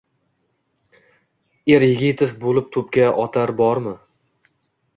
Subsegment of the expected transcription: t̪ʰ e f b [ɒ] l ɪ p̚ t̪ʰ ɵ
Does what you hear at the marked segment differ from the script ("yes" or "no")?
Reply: yes